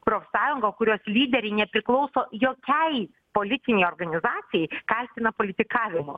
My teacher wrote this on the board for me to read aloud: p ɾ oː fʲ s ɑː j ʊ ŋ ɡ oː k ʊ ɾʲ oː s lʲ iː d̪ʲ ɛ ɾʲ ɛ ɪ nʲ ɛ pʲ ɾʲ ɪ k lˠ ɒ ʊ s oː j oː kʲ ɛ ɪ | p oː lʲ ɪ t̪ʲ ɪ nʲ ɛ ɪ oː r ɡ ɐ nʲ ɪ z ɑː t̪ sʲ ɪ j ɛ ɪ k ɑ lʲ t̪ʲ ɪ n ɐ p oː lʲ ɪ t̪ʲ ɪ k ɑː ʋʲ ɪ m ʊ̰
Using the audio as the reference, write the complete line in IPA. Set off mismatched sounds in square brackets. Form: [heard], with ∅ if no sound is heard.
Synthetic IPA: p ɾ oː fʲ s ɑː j ʊ ŋ ɡ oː k ʊ ɾʲ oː s lʲ iː d̪ʲ ɛ ɾʲ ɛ ɪ nʲ ɛ pʲ ɾʲ ɪ k lˠ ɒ ʊ s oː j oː kʲ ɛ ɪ | p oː lʲ ɪ t̪ʲ ɪ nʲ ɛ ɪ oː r ɡ ɐ nʲ ɪ z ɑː t̪ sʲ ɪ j ɛ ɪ k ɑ lʲ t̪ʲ ɪ n ɐ p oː lʲ ɪ t̪ʲ ɪ k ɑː ʋʲ ɪ m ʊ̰